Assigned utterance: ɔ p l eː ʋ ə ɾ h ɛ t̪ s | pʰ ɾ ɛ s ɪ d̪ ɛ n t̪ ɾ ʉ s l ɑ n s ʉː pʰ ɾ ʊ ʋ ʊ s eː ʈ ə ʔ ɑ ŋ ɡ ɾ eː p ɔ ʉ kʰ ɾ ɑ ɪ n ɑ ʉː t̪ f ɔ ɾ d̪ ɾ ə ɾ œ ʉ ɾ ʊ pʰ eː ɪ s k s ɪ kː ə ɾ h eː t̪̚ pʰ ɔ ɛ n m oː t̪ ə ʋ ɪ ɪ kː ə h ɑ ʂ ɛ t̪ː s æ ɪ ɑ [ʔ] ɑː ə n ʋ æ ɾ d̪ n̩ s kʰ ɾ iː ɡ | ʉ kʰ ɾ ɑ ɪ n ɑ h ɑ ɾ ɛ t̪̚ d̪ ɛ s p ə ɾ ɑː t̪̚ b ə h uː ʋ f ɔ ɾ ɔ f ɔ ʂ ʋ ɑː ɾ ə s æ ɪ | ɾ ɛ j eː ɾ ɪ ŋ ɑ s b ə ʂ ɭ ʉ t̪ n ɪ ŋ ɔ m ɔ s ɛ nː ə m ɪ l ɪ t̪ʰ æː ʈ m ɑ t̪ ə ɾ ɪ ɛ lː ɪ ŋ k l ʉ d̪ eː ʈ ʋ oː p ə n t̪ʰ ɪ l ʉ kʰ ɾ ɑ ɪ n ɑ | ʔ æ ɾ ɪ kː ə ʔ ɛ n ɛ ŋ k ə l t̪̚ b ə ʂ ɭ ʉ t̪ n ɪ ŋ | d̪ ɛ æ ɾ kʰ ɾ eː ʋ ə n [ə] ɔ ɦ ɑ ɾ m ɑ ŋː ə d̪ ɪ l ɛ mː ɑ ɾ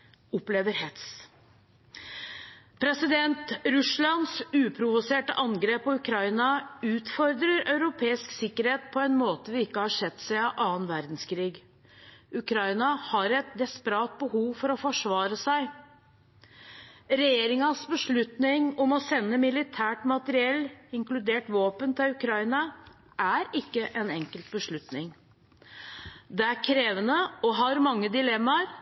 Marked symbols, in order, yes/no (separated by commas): yes, yes